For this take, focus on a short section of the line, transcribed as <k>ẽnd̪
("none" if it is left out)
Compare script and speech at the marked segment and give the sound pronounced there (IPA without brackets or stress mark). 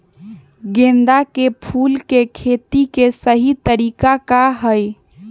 ɡ